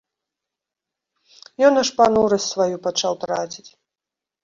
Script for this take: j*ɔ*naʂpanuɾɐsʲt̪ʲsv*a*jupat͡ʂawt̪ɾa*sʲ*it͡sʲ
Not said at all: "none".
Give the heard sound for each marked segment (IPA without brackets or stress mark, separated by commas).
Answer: ɔ, a, t͡sʲ